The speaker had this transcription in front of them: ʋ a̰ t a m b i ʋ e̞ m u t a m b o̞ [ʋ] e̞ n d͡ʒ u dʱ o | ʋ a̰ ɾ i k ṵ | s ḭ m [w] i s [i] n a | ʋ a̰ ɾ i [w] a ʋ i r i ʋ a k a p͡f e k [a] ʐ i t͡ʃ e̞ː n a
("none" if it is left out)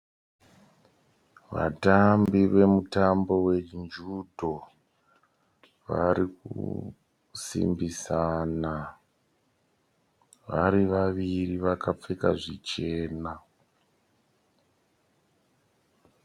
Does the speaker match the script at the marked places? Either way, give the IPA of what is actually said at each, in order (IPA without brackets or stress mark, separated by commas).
w, b, a, ʋ, a